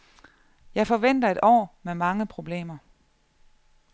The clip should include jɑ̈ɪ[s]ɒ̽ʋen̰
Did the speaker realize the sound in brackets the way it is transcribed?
no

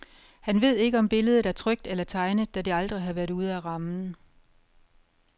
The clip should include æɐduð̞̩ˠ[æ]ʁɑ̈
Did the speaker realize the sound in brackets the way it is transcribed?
yes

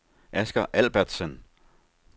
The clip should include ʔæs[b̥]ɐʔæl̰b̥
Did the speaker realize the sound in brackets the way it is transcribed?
no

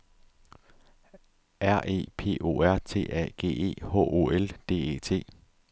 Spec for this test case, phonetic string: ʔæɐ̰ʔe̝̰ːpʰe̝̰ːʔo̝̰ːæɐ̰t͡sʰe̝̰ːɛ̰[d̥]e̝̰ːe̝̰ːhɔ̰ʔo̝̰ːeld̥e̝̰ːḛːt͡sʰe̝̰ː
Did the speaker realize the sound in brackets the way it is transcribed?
no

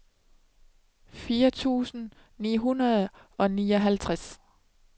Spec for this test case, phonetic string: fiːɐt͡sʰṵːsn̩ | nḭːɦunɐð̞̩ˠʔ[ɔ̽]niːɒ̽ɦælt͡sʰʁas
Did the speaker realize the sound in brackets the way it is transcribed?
no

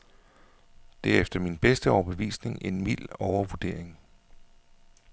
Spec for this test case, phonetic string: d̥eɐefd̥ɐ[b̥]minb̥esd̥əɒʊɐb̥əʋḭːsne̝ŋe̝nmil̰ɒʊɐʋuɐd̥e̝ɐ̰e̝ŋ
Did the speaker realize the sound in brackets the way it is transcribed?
no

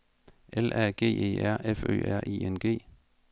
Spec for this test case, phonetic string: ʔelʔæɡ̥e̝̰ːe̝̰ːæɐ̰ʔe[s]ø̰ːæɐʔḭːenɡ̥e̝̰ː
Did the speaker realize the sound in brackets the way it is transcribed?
no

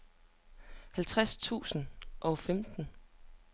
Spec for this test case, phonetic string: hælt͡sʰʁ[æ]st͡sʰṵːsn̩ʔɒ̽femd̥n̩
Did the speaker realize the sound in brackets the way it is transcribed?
no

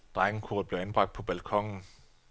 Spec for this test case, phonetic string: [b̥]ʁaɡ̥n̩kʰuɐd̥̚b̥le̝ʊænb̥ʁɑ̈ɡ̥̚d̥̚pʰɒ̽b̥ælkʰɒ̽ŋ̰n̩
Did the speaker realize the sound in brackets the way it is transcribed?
no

